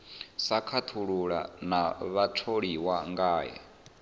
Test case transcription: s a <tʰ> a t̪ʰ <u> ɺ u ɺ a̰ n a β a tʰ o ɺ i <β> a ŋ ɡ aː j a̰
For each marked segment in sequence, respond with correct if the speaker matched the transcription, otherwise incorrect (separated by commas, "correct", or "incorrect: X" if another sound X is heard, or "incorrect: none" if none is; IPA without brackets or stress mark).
incorrect: kʰ, correct, incorrect: w